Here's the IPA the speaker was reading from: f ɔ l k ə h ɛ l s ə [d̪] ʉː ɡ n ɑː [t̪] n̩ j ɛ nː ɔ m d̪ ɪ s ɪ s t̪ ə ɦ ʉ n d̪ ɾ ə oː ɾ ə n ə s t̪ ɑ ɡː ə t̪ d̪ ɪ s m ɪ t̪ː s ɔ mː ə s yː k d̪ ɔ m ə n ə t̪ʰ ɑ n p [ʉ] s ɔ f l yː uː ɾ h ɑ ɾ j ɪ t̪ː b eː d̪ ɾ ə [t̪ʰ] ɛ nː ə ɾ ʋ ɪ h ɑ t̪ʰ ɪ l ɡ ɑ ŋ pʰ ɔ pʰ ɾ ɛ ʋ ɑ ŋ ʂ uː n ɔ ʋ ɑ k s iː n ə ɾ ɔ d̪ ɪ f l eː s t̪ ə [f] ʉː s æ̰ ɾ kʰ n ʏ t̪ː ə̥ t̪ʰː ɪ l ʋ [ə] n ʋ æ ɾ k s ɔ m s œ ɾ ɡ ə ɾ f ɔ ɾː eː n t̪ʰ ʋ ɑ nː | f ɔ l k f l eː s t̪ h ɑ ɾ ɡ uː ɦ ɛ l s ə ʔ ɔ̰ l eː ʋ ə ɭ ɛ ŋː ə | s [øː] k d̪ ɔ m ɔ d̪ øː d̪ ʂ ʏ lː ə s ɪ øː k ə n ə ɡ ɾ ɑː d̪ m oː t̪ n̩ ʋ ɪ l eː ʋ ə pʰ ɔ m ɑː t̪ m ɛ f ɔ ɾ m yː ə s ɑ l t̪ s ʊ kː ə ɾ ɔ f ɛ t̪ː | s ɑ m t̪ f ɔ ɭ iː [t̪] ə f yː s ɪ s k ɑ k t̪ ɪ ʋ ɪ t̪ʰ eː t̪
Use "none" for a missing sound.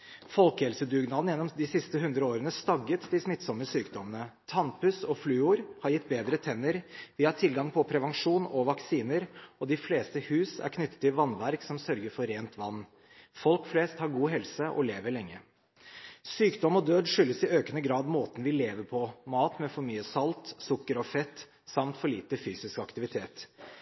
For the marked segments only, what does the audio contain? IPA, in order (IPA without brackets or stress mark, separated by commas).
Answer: d̪, d̪, ʉ, t̪ʰ, h, ɑ, yː, t̪